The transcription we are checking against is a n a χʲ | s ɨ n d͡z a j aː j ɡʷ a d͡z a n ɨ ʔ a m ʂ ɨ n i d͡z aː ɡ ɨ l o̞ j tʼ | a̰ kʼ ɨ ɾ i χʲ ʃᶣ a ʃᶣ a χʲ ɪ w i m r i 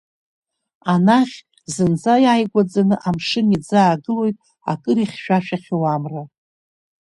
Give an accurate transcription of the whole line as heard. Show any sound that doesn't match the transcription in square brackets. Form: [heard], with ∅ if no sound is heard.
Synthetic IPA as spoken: a n a χʲ | [z] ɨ n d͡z a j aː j ɡʷ a d͡z a n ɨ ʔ a m ʂ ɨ n i d͡z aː ɡ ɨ l o̞ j tʼ | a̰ kʼ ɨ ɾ i χʲ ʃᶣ a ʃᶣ a χʲ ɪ w [a] m r [a]